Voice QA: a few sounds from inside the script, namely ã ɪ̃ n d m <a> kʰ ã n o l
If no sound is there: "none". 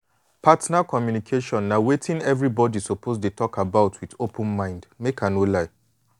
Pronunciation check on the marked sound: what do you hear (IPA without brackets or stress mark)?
e